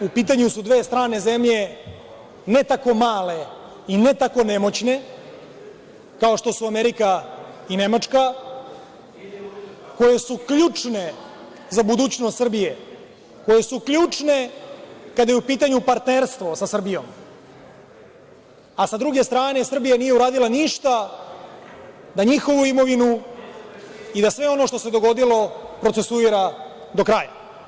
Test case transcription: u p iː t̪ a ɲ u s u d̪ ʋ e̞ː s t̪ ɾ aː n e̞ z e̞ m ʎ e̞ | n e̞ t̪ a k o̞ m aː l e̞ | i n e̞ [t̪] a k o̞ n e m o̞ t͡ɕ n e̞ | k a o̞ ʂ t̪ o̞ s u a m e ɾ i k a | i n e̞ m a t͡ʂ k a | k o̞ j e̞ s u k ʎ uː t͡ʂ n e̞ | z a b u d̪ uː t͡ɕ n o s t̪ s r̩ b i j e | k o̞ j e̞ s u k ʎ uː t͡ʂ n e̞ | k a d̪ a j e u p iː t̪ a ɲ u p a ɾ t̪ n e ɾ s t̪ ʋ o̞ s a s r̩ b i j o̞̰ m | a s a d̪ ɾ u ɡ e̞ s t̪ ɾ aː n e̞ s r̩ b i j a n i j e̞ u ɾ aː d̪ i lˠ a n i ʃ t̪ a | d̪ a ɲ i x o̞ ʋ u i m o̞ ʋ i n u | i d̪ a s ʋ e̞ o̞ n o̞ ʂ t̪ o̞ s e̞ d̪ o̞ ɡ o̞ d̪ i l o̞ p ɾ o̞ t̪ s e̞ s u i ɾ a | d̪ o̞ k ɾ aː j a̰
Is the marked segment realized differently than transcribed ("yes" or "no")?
no